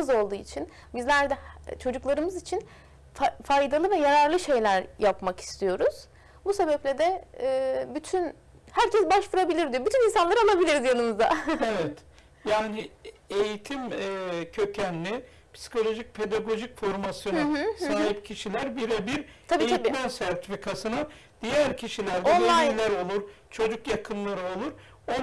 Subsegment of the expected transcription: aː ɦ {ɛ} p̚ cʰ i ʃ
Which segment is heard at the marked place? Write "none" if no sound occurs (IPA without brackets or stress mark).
i